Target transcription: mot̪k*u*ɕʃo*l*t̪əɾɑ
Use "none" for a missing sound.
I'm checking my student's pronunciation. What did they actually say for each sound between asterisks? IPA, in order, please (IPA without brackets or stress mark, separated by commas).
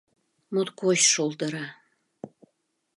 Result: o, l